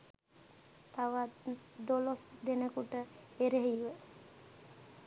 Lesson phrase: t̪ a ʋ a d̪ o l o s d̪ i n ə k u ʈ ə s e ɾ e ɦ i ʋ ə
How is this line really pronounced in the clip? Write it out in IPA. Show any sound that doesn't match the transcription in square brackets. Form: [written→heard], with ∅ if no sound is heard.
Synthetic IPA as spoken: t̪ a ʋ a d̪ o l o s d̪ [i→e] n ə k u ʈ ə [s→∅] e ɾ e ɦ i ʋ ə